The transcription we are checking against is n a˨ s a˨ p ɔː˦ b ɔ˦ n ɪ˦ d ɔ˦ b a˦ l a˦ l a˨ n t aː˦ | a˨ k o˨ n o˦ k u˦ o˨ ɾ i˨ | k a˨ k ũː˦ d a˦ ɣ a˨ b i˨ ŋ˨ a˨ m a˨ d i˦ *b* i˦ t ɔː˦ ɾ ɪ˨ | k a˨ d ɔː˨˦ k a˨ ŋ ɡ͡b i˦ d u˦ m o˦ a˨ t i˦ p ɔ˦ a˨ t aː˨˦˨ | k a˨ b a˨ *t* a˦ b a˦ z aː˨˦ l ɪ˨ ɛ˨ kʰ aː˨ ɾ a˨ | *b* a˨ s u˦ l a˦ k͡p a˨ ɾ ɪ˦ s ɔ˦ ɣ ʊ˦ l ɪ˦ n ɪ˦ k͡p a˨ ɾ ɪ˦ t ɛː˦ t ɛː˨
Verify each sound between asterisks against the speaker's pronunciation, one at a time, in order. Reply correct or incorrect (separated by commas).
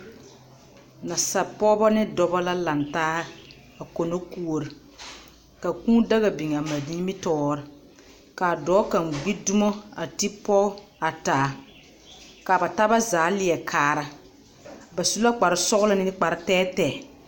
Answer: incorrect, correct, correct